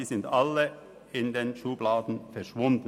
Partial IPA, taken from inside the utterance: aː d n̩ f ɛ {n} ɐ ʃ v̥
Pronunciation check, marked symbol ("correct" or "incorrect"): incorrect